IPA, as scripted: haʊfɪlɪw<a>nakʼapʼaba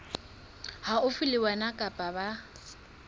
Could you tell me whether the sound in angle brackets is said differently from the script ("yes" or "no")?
no